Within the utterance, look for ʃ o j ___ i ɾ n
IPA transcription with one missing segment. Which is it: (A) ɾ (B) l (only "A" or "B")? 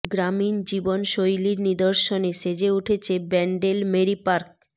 B